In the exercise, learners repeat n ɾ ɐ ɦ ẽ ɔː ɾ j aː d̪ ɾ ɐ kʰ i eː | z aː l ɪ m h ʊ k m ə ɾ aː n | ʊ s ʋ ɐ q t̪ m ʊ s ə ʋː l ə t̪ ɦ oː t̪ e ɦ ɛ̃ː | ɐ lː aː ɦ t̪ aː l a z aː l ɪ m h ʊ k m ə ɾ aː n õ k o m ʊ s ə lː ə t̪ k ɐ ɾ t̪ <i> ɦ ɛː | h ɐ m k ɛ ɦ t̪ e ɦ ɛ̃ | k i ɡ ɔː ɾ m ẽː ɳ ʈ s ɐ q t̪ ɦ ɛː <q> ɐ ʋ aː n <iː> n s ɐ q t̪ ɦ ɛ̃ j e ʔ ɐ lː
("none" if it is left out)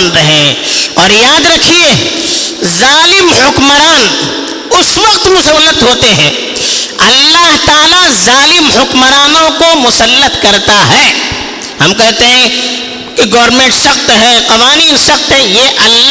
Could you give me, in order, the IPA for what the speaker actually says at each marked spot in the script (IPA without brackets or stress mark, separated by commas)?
a, q, iː